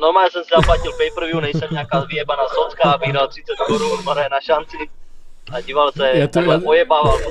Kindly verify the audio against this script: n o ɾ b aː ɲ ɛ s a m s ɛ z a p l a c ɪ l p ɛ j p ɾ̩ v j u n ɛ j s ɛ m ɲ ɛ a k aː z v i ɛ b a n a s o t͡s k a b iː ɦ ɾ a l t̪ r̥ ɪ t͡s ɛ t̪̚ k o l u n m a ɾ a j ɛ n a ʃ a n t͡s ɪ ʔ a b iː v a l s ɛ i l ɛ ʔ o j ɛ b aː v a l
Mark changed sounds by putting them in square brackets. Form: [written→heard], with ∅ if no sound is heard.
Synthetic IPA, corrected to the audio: n o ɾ [b→m] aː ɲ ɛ s [a→ɛ] m s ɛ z a p l a c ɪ l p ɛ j p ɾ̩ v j u n ɛ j s ɛ m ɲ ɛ a k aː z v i ɛ b a n a s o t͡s k a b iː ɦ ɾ a l t̪ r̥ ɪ t͡s ɛ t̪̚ k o [l→ɾ] u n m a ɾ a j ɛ n a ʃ a n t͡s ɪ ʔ a [b→ɟ] iː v a l s ɛ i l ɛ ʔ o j ɛ b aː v a l